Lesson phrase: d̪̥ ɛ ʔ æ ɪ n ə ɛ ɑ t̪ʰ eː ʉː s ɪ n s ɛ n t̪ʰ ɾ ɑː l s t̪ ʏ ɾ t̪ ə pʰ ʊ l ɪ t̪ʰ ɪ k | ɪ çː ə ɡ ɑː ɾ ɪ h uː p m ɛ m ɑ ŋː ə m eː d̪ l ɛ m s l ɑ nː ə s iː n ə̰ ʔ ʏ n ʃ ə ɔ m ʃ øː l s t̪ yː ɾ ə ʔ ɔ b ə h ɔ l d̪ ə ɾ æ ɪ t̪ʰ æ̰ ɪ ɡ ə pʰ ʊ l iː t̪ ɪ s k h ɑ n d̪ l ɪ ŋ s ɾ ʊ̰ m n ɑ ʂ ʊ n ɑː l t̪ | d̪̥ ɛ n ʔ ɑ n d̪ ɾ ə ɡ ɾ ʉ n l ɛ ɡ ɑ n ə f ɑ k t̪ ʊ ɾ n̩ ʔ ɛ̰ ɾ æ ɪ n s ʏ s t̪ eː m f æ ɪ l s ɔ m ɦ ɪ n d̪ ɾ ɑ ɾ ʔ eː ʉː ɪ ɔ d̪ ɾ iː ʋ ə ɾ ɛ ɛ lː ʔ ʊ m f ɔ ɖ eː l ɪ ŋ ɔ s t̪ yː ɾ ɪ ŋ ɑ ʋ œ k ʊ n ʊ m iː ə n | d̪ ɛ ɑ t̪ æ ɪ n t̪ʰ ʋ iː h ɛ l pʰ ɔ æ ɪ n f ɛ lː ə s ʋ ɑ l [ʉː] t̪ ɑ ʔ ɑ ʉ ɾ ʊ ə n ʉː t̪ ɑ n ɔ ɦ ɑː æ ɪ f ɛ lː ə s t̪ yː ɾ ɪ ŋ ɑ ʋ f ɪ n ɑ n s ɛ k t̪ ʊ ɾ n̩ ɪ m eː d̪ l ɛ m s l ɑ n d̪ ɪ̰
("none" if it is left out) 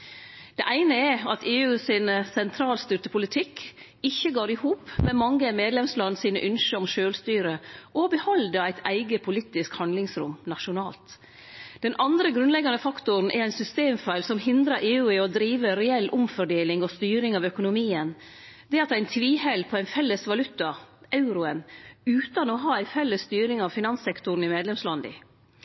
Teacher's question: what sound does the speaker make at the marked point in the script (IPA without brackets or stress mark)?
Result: ʉ